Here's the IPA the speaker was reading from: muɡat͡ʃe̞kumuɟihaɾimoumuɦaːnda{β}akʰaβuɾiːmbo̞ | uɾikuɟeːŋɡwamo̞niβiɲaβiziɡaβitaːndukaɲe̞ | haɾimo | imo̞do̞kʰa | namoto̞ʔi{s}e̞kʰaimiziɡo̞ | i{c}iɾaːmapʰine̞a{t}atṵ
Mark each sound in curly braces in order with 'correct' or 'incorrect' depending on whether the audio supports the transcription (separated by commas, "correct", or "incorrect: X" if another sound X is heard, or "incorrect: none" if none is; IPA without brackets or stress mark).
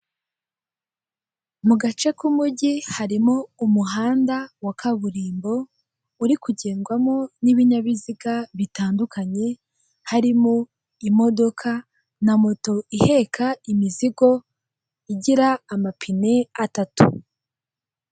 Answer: incorrect: w, incorrect: h, incorrect: ɟ, correct